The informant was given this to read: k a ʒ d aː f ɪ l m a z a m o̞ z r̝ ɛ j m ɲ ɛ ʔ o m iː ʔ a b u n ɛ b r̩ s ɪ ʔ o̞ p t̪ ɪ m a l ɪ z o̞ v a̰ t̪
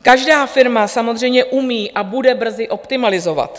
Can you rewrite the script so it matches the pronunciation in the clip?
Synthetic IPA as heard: k a ʒ d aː f ɪ ɾ m a s a m o̞ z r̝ ɛ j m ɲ ɛ ʔ u m iː ʔ a b u d ɛ b r̩ z ɪ ʔ o̞ p t̪ ɪ m a l ɪ z o̞ v a̰ t̪